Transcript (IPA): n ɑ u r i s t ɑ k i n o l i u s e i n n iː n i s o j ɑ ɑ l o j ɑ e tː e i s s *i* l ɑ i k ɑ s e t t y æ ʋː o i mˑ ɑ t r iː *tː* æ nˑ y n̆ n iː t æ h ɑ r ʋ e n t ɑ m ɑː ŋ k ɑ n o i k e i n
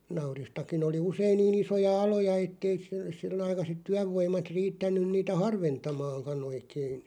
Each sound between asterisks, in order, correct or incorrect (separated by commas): correct, correct